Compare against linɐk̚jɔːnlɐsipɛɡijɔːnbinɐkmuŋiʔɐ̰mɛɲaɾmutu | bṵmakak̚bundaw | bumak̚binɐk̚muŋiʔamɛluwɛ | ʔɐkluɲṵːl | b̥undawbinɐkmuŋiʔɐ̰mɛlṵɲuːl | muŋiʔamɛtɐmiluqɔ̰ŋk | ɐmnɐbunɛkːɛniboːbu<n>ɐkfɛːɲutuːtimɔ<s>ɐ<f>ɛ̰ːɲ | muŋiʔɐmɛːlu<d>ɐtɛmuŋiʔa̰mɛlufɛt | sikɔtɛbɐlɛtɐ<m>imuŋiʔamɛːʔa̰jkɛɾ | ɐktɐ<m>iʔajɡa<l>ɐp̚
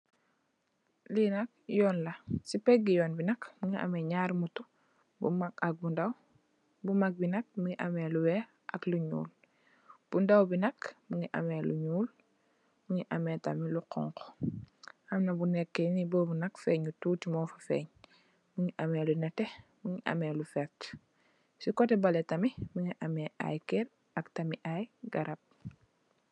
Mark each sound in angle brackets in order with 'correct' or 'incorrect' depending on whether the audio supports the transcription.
correct, incorrect, correct, incorrect, correct, correct, incorrect

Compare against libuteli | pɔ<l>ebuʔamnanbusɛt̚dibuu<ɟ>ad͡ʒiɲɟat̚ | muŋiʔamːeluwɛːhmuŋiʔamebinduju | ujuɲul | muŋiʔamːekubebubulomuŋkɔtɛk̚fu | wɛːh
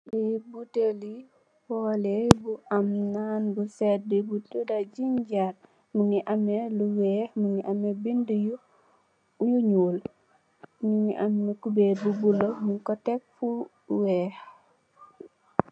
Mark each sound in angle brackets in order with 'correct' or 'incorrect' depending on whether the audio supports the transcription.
correct, incorrect

